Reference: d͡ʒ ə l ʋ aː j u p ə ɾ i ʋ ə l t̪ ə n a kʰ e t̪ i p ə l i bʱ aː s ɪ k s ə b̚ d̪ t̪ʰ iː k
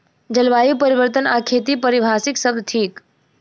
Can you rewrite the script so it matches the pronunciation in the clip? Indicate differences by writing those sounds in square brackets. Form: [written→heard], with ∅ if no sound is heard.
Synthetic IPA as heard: d͡ʒ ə l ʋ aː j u p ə ɾ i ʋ ə [l→ɾ] t̪ ə n a kʰ e t̪ i p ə [l→ɾ] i bʱ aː s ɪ k s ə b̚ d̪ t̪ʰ iː k